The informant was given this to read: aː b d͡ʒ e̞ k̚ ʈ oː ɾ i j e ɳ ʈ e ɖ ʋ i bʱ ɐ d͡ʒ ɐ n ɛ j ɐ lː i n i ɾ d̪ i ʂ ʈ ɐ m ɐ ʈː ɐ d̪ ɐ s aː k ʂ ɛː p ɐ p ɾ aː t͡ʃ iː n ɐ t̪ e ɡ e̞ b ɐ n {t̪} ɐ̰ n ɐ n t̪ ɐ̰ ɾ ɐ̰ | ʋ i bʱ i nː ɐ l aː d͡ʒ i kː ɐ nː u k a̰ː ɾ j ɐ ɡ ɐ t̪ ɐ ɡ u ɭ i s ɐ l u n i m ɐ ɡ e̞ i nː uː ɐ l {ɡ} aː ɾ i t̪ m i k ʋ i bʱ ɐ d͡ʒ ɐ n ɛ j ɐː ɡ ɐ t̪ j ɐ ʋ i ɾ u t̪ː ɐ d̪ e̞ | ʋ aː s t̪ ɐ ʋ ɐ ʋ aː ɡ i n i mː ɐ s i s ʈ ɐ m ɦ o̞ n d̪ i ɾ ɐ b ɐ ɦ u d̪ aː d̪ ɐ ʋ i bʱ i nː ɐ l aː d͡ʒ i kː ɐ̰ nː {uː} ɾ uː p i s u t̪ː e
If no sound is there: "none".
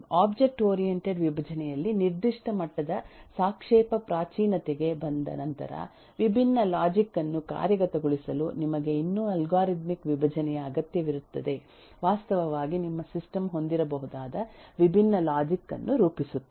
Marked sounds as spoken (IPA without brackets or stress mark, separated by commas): d̪, ɡ, u